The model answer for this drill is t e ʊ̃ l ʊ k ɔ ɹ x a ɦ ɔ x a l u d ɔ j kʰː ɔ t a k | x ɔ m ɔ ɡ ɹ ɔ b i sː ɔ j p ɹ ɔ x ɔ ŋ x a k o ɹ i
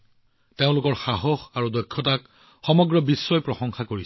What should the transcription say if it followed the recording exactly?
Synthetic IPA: t e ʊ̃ l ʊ k ɔ ɹ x a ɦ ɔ x a ɹ u d ɔ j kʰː ɔ t a k | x ɔ m ɔ ɡ ɹ ɔ b i sː ɔ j p ɹ ɔ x ɔ ŋ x a k o ɹ i